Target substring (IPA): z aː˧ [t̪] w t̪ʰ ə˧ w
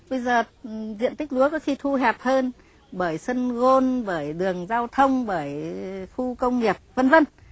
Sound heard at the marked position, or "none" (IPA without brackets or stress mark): none